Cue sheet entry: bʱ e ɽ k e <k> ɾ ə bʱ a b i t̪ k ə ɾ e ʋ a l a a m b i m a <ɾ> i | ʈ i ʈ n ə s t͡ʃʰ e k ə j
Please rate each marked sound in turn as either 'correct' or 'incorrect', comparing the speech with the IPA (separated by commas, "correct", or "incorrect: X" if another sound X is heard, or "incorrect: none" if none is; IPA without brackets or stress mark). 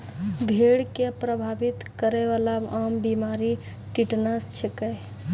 incorrect: p, correct